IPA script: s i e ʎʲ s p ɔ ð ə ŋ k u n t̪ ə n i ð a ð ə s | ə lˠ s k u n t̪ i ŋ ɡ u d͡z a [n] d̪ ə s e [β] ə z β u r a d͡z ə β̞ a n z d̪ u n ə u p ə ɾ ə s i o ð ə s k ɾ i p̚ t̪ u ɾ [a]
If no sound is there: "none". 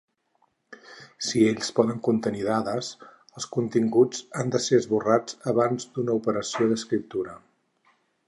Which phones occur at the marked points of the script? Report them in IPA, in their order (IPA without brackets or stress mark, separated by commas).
n, none, ə